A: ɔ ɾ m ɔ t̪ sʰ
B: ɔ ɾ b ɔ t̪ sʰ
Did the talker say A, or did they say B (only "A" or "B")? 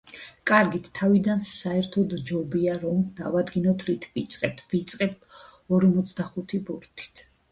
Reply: A